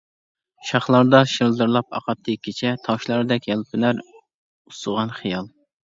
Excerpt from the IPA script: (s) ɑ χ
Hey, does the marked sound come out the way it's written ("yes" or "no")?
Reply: no